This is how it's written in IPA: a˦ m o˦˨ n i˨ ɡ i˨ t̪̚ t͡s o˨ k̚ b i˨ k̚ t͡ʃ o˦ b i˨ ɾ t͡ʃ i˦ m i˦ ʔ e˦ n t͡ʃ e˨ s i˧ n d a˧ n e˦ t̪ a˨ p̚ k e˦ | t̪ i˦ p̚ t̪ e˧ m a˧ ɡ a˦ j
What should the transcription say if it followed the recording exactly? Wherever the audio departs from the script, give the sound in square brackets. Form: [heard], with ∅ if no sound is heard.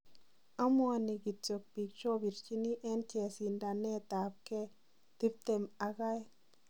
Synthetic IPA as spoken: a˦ m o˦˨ n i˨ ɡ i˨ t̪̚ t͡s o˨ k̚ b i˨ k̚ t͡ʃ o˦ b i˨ ɾ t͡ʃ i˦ [n] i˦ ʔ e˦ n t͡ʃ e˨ s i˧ n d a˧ n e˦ t̪ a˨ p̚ k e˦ | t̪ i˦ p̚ t̪ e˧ m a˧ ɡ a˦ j